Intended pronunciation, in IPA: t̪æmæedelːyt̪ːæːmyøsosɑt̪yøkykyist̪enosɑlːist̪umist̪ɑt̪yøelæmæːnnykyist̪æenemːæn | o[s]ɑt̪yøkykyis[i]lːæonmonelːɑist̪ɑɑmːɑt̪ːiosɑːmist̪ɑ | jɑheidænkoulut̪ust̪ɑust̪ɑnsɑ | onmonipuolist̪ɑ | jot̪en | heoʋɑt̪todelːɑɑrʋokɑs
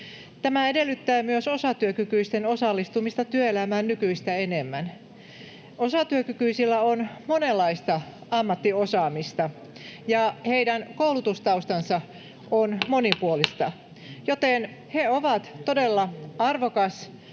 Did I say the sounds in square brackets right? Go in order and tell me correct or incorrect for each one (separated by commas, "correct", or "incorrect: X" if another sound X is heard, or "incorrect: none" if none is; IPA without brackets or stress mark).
correct, correct